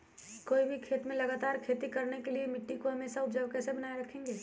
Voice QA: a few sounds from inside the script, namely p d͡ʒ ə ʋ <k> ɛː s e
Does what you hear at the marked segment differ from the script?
no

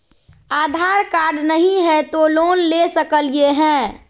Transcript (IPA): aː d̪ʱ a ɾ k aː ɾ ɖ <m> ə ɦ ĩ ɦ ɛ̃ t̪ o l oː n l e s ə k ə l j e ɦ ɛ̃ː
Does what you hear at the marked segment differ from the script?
yes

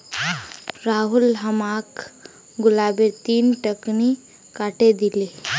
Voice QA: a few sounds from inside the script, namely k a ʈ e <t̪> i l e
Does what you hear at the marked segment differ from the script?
yes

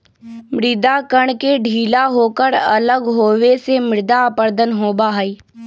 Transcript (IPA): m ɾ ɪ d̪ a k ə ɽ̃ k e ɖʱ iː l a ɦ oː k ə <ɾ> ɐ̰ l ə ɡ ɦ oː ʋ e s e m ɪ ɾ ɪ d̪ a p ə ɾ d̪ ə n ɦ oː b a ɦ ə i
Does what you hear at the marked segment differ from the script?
no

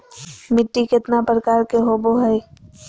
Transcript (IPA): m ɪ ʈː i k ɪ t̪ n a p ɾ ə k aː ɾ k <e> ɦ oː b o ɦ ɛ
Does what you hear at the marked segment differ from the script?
no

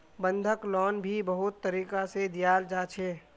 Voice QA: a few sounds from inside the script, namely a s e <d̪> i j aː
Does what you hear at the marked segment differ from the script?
no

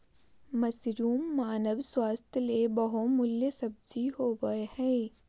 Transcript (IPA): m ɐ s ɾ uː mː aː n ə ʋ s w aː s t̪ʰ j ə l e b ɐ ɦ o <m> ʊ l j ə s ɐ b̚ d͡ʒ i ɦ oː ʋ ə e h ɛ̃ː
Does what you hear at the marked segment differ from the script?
no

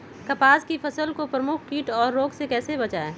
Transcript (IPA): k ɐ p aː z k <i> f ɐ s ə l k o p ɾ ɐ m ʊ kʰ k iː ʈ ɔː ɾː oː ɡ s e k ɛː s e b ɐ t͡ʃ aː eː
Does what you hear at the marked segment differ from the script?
no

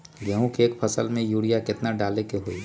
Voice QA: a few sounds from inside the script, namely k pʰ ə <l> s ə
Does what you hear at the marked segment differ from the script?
yes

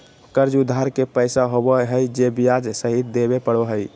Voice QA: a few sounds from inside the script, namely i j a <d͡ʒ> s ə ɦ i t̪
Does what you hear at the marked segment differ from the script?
no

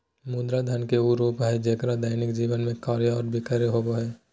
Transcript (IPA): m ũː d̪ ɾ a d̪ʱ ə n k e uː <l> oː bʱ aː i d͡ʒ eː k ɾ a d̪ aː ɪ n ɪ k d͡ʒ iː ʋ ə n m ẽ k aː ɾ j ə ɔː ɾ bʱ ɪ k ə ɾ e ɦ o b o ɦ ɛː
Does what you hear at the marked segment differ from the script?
yes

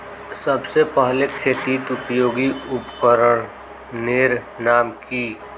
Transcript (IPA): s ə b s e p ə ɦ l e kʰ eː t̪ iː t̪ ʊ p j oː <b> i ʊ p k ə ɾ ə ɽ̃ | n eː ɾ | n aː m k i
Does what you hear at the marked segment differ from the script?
yes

